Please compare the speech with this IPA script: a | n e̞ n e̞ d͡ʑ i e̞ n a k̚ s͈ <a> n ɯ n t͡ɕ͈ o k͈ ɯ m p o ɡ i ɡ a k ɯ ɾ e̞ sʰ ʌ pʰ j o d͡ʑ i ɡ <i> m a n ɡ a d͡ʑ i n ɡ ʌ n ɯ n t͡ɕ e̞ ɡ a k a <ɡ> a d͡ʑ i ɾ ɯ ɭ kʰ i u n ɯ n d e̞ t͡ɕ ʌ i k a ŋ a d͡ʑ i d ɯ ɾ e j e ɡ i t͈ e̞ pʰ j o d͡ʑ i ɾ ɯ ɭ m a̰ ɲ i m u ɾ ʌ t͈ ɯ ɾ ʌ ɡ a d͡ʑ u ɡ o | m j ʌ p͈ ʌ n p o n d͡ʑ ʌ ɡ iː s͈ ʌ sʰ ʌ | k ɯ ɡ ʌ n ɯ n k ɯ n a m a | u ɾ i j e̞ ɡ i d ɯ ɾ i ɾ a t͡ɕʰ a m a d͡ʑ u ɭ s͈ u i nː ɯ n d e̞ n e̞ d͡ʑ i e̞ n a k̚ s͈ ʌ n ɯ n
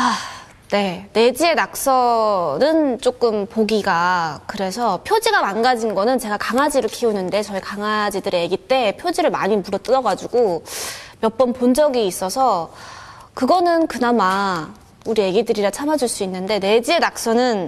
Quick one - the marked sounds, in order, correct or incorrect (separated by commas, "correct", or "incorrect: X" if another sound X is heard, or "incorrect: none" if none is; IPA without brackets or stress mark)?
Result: incorrect: ʌ, incorrect: a, incorrect: ŋ